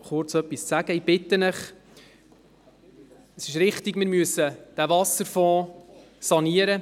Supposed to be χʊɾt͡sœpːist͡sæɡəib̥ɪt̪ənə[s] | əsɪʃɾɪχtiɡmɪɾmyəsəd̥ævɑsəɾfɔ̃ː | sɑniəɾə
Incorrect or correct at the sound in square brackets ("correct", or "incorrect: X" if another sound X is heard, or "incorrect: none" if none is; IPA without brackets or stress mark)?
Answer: incorrect: χ